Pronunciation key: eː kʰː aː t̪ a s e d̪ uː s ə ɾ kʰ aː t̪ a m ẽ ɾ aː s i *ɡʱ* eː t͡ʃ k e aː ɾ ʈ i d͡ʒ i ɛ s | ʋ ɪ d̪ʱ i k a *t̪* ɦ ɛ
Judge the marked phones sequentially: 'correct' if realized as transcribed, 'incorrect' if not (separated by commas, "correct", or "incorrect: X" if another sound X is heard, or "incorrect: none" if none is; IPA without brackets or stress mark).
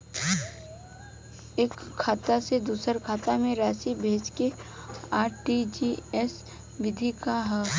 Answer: incorrect: bʱ, incorrect: none